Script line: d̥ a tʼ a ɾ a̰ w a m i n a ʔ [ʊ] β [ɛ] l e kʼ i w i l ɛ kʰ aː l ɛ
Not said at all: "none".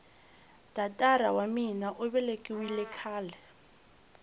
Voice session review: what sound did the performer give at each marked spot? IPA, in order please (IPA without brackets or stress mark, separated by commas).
ʊ, ɛ